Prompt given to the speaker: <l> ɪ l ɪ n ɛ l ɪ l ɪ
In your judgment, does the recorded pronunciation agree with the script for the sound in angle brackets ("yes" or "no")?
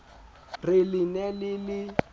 no